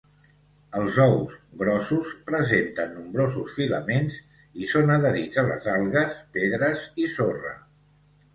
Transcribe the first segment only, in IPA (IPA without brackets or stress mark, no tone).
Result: ə